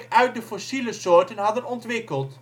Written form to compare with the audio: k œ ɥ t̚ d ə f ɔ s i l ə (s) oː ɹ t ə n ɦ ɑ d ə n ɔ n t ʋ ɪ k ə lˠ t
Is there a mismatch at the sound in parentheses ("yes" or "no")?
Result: no